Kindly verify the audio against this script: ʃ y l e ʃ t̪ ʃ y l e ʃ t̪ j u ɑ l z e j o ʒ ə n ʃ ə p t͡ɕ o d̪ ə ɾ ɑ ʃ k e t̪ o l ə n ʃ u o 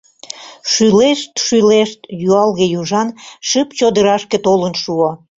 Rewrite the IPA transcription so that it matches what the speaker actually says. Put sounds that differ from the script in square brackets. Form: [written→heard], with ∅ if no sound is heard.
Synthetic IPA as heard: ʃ y l e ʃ t̪ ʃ y l e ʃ t̪ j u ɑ l [z→ɣ] e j [o→u] ʒ [ə→ɑ] n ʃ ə p t͡ɕ o d̪ ə ɾ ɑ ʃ k e t̪ o l ə n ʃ u o

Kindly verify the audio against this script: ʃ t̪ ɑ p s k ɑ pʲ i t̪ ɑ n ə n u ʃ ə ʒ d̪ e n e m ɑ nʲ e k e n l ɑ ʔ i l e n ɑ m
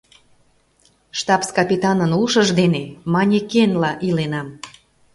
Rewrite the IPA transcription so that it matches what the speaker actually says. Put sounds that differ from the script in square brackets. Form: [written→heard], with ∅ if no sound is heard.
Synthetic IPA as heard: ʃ t̪ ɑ p s k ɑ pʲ i t̪ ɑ n ə n u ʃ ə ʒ d̪ e n e m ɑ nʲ e k e n l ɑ ʔ i l e n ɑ m

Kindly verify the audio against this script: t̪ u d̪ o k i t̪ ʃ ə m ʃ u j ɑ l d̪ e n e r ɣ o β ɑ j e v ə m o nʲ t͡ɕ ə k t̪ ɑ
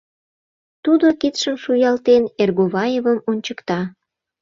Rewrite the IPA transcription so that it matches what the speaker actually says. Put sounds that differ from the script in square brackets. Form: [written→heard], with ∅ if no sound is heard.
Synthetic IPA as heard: t̪ u d̪ o k i t̪ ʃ ə m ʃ u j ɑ l [d̪→t̪] e n e r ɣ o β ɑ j e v ə m o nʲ t͡ɕ ə k t̪ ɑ

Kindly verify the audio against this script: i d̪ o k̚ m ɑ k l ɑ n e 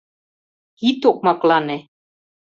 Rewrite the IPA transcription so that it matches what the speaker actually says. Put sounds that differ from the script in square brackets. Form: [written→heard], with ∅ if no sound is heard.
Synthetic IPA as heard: i [d̪→t̪] o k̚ m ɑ k l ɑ n e

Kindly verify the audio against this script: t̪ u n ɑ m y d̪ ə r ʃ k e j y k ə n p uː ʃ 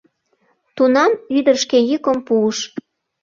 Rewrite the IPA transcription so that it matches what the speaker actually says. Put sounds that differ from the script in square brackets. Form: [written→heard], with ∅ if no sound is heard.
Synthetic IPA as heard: t̪ u n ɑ m y d̪ ə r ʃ k e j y k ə [n→m] p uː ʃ

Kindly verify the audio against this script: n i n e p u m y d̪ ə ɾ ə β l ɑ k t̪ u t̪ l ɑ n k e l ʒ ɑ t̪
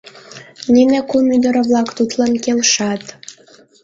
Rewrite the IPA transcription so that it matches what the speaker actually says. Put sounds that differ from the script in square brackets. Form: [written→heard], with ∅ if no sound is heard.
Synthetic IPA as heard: n i n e [p→k] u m y d̪ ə ɾ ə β l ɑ k t̪ u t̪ l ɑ n k e l [ʒ→ʃ] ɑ t̪

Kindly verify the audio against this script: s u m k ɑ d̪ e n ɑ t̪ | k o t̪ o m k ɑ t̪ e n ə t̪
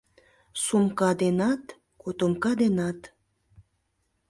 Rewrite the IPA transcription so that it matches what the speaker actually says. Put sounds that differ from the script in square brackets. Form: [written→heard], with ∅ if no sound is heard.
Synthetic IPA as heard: s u m k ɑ d̪ e n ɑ t̪ | k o t̪ o m k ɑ [t̪→d̪] e n [ə→ɑ] t̪

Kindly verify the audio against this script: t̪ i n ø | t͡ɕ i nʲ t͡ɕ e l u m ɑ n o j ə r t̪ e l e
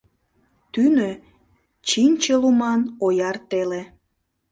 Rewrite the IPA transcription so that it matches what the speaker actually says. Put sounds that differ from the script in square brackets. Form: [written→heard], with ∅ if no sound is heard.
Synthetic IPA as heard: t̪ [i→y] n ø | t͡ɕ i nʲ t͡ɕ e l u m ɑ n o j [ə→ɑ] r t̪ e l e

